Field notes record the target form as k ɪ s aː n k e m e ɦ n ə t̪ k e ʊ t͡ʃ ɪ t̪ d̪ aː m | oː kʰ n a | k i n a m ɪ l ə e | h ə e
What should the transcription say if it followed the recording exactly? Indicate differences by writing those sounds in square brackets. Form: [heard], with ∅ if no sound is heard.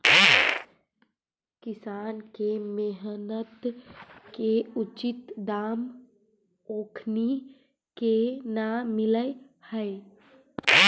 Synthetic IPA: k ɪ s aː n k e m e ɦ n ə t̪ k e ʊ t͡ʃ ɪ t̪ d̪ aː m | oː kʰ n [i] | k [e] n a m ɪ l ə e | h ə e